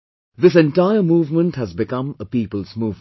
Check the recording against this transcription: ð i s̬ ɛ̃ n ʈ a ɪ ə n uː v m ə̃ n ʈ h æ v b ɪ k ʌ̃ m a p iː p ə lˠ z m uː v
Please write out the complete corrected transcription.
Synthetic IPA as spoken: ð ɪ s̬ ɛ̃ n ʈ a ɪ ə m uː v m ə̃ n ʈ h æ z b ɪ k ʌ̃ m ə p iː p ə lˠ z m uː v